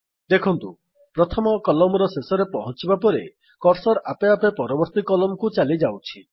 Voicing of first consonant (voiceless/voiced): voiced